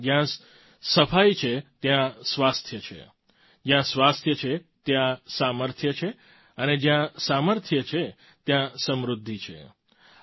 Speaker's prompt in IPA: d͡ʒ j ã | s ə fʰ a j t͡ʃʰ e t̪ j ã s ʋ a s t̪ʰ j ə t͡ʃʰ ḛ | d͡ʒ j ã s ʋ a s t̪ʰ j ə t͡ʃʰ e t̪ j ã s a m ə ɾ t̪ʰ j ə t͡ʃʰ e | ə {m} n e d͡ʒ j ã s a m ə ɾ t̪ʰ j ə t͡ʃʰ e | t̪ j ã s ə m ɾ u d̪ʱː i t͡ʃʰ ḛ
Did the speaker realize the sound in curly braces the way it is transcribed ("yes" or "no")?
no